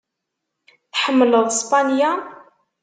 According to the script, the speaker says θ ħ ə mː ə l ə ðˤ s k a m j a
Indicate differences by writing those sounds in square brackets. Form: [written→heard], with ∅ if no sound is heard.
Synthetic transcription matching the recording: θ ħ ə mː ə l ə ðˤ s [k→p] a [m→n] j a